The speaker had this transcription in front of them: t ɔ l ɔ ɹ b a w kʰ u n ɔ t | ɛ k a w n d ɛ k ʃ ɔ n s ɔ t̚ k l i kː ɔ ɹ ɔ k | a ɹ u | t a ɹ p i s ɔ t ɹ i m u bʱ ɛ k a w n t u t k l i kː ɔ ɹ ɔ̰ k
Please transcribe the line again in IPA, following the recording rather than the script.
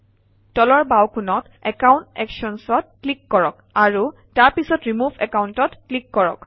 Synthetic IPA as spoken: t ɔ l ɔ ɹ b a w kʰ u n ɔ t | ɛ k a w n t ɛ k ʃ ɔ n s ɔ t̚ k l i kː ɔ ɹ ɔ k | a ɹ u | t a ɹ p i s ɔ t ɹ i m u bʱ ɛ k a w n t ɔ t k l i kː ɔ ɹ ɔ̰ k